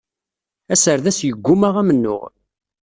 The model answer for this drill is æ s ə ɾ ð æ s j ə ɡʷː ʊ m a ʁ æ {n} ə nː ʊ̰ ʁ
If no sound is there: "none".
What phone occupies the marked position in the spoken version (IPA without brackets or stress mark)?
m